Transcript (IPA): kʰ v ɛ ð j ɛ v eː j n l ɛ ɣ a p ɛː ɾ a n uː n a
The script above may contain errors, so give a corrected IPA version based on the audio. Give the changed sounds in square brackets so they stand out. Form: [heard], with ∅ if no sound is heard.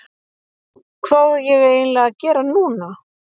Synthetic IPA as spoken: kʰ v [a] ð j ɛ [ɣ] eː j n l ɛ ɣ a [c] ɛː ɾ a n uː n a